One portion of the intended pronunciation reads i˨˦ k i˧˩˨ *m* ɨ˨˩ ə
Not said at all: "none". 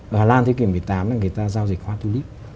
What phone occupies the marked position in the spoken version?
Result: m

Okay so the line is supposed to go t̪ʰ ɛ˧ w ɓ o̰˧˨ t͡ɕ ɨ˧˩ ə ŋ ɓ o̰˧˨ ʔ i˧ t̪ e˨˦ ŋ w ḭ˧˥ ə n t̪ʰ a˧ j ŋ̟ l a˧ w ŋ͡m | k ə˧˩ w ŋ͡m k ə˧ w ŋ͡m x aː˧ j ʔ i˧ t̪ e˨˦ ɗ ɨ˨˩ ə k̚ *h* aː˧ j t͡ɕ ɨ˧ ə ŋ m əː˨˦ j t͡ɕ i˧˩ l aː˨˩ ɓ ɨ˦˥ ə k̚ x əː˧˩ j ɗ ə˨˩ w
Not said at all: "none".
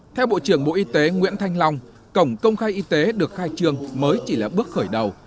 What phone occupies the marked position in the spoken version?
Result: x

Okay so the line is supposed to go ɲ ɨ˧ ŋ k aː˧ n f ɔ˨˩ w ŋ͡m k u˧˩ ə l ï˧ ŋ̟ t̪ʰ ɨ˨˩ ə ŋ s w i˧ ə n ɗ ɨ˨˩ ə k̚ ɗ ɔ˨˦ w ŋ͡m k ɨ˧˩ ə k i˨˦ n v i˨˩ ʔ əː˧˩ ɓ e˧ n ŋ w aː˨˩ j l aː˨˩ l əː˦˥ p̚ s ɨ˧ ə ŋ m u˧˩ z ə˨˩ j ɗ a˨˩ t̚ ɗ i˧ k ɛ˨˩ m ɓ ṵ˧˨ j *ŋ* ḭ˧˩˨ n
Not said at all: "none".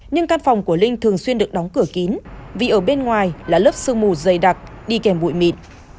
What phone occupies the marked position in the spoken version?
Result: m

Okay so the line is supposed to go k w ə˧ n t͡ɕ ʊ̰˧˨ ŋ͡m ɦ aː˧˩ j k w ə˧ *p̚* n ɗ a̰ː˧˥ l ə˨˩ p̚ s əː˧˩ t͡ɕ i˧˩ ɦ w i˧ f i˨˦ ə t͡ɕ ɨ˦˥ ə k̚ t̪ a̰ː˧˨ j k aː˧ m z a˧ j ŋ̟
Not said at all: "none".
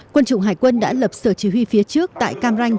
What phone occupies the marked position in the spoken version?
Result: none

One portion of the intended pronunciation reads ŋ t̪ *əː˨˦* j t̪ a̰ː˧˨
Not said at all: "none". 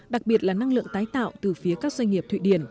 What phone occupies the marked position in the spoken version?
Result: aː˨˦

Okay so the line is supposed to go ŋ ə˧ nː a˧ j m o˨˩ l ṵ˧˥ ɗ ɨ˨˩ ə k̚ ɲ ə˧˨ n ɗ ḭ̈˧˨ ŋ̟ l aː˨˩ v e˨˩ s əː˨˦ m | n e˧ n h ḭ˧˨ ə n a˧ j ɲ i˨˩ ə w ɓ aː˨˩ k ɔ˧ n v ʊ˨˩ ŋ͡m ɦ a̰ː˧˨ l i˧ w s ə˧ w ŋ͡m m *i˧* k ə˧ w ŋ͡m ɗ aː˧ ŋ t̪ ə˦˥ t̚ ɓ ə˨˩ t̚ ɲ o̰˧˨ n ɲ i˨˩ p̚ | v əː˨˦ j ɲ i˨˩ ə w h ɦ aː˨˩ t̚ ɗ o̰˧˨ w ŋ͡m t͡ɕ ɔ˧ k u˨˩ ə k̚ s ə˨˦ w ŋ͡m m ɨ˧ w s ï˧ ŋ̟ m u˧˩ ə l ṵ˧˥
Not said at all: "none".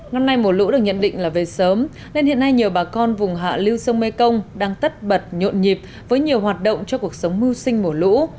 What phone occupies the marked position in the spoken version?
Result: e˧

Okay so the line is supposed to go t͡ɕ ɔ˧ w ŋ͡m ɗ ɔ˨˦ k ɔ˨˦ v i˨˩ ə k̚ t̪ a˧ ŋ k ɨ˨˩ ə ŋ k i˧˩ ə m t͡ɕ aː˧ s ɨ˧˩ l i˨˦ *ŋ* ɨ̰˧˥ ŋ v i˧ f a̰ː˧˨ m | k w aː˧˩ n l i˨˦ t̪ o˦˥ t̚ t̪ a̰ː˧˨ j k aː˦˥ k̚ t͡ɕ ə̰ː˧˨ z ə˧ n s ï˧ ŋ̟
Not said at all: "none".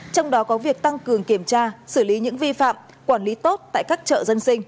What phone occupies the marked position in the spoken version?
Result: ɲ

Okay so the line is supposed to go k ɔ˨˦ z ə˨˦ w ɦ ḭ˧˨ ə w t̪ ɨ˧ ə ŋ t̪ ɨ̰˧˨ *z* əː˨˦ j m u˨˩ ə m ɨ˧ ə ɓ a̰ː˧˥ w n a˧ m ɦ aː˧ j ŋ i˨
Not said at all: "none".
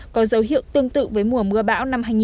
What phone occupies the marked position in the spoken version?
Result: v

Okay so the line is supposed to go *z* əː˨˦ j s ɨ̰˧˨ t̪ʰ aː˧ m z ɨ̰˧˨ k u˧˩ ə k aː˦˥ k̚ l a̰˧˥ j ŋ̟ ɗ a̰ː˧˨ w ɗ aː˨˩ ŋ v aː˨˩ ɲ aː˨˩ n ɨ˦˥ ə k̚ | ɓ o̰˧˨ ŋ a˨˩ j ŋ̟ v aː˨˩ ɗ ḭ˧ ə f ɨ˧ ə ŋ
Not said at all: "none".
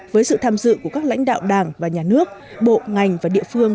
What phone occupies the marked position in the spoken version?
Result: v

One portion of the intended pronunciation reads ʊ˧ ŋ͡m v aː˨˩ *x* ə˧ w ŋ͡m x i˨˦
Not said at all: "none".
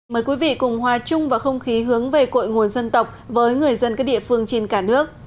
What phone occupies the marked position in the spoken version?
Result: x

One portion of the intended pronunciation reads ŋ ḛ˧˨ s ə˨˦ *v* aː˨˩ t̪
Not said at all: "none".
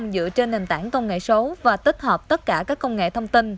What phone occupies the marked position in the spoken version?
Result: v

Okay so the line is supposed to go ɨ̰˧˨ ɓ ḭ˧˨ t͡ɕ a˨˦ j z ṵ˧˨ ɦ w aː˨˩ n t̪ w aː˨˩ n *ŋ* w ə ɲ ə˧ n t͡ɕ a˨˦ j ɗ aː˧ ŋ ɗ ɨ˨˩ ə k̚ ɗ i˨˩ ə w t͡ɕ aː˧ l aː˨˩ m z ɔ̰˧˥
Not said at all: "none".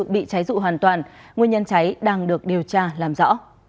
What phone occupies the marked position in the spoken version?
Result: ŋ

